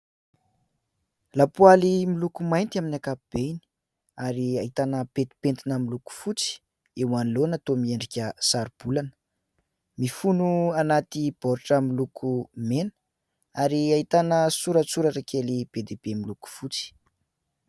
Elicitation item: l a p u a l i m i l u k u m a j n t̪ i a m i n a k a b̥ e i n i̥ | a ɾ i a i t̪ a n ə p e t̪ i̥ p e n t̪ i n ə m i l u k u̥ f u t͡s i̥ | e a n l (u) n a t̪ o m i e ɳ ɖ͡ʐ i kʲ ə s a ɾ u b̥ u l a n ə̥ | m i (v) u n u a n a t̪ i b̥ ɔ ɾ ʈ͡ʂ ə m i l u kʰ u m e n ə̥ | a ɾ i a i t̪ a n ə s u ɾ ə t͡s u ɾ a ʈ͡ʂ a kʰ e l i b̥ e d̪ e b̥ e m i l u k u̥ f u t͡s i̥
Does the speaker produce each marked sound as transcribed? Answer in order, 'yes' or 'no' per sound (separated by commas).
no, no